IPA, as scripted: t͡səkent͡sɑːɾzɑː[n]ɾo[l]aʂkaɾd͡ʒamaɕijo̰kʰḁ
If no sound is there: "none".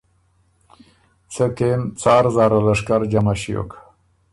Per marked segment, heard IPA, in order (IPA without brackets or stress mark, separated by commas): none, l